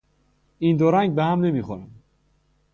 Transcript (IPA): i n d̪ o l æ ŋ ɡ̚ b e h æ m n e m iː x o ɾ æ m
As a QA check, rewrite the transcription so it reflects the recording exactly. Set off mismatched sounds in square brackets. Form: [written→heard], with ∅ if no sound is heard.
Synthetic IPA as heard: i n d̪ o [l→ɾ] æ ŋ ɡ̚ b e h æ m n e m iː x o ɾ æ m

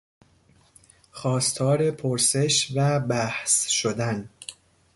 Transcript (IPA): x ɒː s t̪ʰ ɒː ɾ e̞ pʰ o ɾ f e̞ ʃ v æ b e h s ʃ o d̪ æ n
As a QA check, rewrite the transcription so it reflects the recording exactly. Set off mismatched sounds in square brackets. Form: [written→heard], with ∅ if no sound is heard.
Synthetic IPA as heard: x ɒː s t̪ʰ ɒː ɾ e̞ pʰ o ɾ [f→s] e̞ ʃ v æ b [e→æ] h s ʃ o d̪ æ n

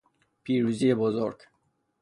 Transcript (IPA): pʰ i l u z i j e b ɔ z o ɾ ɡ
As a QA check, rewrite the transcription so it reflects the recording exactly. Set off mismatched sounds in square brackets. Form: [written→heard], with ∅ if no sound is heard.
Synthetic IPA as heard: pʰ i [l→ɾ] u z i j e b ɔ z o ɾ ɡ

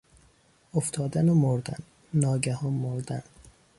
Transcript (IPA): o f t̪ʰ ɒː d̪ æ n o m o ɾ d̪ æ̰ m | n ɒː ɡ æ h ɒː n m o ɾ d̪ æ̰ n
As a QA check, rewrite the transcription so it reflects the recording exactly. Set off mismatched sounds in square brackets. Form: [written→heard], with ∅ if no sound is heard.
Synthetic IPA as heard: o f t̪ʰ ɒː d̪ æ n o m o ɾ d̪ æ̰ [m→n] | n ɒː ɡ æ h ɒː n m o ɾ d̪ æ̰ n

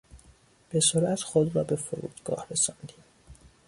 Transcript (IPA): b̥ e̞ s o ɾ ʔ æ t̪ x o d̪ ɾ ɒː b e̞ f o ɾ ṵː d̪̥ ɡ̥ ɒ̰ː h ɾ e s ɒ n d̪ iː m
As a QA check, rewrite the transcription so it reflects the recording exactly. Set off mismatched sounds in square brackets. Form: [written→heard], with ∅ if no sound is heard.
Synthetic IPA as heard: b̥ e̞ s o ɾ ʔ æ t̪ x o d̪ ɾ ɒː b e̞ f o ɾ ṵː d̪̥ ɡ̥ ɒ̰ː h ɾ e s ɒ n d̪ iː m

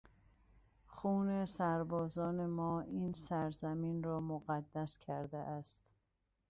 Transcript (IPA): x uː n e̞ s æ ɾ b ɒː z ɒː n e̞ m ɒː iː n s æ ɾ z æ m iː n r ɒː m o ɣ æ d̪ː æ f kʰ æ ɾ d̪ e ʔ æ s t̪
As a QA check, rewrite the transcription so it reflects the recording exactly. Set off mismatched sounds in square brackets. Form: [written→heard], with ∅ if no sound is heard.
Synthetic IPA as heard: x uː n e̞ s æ ɾ b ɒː z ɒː n e̞ m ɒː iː n s æ ɾ z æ m iː n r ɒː m o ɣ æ d̪ː æ [f→s] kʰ æ ɾ d̪ e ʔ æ s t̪

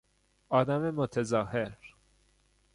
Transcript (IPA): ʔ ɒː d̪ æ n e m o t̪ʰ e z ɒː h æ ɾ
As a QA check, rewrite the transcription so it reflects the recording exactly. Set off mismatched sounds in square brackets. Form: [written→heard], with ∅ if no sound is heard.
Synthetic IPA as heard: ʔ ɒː d̪ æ [n→m] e m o t̪ʰ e z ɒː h [æ→e] ɾ

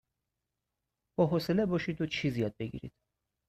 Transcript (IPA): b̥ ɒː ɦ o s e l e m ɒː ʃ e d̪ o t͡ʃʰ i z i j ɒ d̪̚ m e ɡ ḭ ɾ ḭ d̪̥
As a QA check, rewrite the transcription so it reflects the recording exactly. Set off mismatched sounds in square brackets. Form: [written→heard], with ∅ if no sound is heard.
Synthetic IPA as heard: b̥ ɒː ɦ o s e l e [m→b] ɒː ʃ [e→i] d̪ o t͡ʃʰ i z i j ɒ d̪̚ [m→b] e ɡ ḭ ɾ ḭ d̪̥

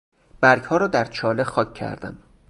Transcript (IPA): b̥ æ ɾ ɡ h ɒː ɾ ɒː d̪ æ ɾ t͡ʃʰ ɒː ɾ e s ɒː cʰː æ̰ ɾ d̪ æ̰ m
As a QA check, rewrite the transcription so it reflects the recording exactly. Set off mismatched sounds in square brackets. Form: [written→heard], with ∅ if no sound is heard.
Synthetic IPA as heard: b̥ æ ɾ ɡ h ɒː ɾ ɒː d̪ æ ɾ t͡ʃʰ ɒː [ɾ→l] e [s→x] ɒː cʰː æ̰ ɾ d̪ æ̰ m

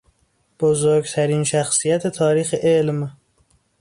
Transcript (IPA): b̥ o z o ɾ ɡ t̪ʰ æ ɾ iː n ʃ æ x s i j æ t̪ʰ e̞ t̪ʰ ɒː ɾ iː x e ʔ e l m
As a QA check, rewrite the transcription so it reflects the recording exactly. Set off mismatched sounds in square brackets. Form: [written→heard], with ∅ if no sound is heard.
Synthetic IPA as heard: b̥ o z o ɾ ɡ t̪ʰ æ ɾ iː n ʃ æ x s i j æ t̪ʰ e̞ t̪ʰ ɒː ɾ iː x e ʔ e l m

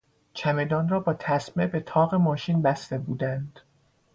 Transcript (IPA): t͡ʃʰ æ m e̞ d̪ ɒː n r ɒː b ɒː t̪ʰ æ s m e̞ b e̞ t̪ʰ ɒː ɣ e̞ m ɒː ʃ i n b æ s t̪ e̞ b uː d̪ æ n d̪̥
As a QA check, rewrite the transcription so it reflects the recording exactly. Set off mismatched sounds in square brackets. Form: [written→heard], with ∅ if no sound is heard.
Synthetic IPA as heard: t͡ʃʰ æ m e̞ d̪ ɒː n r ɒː b ɒː t̪ʰ æ s m e̞ b e̞ t̪ʰ ɒː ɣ e̞ m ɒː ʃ i n b æ s t̪ e̞ b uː d̪ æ n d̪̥

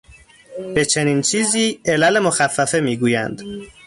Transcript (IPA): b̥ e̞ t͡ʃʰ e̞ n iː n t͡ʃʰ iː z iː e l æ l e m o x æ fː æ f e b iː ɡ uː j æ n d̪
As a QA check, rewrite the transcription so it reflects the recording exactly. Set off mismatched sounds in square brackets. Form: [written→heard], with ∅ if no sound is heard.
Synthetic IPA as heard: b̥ e̞ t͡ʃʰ e̞ n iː n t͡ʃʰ iː z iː e l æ l e m o x æ fː æ f e [b→m] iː ɡ uː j æ n d̪

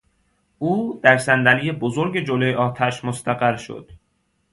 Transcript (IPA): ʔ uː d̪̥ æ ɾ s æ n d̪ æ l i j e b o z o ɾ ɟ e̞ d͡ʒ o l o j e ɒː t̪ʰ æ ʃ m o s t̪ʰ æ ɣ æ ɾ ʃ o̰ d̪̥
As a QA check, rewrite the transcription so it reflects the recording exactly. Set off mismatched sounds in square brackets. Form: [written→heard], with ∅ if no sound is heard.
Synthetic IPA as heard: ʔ uː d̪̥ æ ɾ s æ n d̪ æ l i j e b o z o ɾ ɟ e̞ d͡ʒ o l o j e ɒː t̪ʰ æ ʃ m o s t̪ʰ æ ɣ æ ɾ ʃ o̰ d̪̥

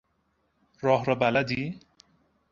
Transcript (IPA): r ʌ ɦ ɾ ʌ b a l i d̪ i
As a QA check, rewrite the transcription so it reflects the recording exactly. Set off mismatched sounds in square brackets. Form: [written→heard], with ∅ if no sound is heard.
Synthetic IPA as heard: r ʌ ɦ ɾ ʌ b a l [i→a] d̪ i

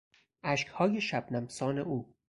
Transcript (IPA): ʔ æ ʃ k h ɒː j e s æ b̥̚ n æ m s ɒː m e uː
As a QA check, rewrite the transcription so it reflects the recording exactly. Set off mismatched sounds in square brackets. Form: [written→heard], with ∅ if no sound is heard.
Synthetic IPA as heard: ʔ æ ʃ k h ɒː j e [s→ʃ] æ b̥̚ n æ m s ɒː [m→n] e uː

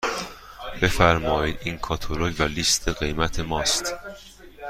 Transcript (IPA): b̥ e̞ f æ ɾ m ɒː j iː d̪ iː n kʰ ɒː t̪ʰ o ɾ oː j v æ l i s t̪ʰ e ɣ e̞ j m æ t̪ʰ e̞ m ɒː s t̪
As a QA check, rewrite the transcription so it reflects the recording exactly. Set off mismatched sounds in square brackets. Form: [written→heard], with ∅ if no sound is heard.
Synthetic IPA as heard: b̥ e̞ f æ ɾ m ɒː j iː d̪ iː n kʰ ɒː t̪ʰ o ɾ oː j v æ l i s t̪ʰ e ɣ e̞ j m æ t̪ʰ e̞ m ɒː s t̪

